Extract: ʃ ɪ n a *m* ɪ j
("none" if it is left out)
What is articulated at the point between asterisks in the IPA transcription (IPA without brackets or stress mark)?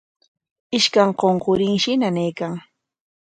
n